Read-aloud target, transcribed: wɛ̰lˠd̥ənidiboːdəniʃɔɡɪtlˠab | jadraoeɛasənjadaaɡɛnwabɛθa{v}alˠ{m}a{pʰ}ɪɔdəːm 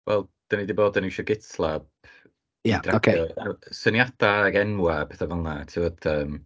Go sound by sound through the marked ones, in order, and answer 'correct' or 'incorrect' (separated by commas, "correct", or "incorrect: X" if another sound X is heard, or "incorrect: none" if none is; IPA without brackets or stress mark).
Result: correct, incorrect: n, incorrect: tʰ